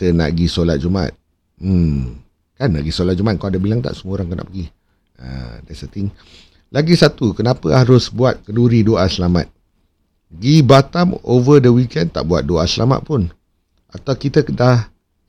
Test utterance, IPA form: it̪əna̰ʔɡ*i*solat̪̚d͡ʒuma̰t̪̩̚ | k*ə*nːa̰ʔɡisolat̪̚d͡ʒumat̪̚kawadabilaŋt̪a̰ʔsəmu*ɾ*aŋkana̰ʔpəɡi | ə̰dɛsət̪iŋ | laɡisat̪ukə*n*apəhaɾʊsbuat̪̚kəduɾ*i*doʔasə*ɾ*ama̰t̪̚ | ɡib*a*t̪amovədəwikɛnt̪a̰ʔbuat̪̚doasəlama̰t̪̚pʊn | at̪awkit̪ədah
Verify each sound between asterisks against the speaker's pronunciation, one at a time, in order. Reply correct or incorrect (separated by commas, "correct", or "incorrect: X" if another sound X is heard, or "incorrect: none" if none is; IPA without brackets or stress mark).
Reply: correct, incorrect: a, correct, correct, correct, incorrect: l, correct